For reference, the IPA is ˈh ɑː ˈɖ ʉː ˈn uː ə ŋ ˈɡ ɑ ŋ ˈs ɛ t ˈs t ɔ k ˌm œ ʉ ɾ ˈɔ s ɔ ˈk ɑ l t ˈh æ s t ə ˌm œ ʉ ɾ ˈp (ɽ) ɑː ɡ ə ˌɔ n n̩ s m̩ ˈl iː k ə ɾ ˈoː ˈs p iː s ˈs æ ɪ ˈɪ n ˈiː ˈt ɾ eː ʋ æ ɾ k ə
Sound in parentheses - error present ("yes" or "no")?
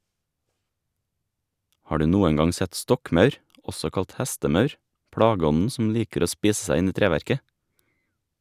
no